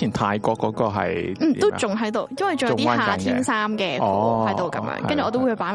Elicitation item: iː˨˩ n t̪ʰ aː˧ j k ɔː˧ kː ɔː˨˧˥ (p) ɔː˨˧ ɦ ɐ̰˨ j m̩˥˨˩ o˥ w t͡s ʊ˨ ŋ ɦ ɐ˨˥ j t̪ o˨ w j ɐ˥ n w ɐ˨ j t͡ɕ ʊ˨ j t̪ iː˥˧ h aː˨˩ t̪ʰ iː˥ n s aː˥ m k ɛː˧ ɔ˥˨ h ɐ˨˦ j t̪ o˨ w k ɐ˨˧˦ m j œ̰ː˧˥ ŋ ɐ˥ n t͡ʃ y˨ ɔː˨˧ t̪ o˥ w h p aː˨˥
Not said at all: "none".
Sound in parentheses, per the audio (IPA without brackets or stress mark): k